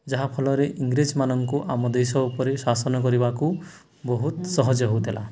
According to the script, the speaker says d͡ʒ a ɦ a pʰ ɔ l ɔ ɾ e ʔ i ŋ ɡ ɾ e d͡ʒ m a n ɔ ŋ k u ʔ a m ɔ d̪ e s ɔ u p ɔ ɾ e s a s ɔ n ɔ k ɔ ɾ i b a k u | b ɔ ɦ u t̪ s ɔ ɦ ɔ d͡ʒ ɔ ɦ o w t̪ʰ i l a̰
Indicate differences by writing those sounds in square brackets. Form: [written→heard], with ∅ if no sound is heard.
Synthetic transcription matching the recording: d͡ʒ a ɦ a pʰ ɔ l ɔ ɾ e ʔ i ŋ ɡ ɾ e d͡ʒ m a n ɔ ŋ k u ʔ a m ɔ d̪ e s ɔ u p ɔ ɾ e s a s ɔ n ɔ k ɔ ɾ i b a k u | b ɔ ɦ u t̪ s ɔ ɦ ɔ d͡ʒ ɔ ɦ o w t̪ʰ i l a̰